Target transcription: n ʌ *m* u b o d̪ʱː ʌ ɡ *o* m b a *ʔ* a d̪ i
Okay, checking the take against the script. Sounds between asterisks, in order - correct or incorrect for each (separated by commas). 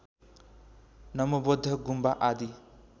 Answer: correct, incorrect, correct